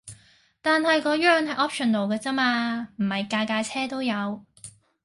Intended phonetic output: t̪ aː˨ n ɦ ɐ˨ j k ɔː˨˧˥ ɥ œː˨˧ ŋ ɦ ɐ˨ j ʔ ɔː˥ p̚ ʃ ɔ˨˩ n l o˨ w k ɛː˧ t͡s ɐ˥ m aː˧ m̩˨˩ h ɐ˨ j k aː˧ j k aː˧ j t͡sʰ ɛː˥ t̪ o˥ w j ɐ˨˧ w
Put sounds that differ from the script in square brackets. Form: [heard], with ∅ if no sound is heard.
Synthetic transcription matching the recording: t̪ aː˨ n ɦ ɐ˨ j k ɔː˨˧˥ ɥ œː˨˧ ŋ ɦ ɐ˨ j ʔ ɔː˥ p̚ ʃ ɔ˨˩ n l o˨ w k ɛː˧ t͡s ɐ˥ m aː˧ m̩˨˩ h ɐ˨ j k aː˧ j k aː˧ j t͡sʰ ɛː˥ t̪ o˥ w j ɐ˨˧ w